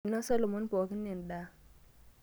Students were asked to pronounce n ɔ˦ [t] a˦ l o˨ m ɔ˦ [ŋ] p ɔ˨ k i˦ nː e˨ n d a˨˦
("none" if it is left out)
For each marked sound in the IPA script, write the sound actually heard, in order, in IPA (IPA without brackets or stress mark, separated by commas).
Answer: s, n